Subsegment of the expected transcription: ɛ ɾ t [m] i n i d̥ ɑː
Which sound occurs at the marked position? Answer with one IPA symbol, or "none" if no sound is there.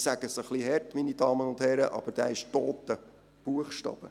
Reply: m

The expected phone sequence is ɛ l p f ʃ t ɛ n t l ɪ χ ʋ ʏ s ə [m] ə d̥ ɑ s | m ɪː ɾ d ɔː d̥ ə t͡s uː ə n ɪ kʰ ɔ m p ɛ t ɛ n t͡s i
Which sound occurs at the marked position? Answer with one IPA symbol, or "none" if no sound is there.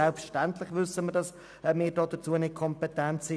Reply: m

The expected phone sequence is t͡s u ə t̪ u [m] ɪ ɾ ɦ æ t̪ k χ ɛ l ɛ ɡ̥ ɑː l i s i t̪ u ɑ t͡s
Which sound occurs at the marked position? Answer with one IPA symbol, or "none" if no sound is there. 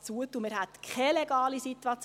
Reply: m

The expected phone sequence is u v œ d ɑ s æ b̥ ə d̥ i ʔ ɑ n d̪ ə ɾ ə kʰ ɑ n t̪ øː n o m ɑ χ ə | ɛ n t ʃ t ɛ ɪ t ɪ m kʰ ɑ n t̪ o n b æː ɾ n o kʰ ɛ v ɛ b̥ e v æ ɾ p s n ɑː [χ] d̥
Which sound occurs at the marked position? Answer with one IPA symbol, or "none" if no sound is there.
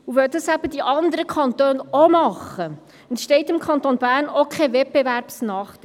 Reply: χ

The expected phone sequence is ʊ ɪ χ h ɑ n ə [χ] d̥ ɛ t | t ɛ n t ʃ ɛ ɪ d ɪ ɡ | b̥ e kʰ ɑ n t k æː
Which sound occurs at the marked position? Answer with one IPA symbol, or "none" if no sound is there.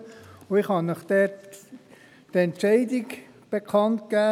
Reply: χ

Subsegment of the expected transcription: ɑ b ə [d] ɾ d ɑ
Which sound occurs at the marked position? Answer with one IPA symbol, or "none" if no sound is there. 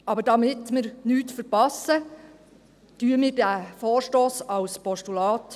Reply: none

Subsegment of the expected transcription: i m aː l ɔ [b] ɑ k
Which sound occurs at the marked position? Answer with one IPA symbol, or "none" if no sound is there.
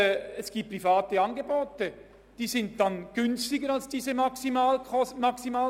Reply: m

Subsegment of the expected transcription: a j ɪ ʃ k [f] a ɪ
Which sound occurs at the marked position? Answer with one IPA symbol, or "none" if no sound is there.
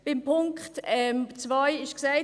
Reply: s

